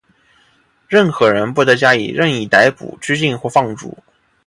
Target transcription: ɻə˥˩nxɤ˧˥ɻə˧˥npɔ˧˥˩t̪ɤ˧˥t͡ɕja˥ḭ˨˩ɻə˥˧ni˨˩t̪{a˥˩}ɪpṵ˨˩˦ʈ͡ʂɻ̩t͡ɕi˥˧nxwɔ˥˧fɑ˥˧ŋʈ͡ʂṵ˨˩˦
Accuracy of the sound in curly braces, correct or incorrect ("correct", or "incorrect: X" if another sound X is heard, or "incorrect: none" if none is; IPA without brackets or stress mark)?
incorrect: a˧˥